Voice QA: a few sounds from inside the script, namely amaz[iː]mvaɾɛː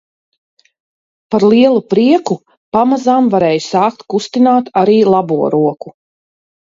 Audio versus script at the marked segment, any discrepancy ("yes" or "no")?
yes